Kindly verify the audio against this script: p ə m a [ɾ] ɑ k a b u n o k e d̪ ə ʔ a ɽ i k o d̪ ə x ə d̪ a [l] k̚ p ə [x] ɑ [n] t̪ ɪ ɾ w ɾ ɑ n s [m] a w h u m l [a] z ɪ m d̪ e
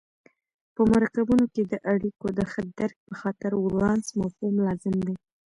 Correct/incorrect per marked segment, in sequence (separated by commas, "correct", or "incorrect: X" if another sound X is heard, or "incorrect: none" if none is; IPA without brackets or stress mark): correct, incorrect: ɾ, correct, incorrect: none, correct, incorrect: ɑ